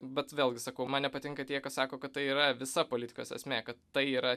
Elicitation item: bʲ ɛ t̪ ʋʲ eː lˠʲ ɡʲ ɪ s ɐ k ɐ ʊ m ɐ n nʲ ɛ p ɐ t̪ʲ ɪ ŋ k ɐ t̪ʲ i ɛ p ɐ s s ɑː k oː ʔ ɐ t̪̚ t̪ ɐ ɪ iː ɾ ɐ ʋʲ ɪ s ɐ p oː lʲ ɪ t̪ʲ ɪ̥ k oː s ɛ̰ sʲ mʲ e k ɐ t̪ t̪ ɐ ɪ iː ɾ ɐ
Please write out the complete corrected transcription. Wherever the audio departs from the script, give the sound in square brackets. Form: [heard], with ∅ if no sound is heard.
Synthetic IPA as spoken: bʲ ɛ t̪ ʋʲ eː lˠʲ ɡʲ ɪ s ɐ k ɐ ʊ m ɐ n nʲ ɛ p ɐ t̪ʲ ɪ ŋ k ɐ t̪ʲ i ɛ [k] ɐ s s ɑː k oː [k] ɐ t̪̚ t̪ ɐ ɪ iː ɾ ɐ ʋʲ ɪ s ɐ p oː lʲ ɪ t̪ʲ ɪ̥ k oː s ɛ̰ sʲ mʲ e k ɐ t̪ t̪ ɐ ɪ iː ɾ ɐ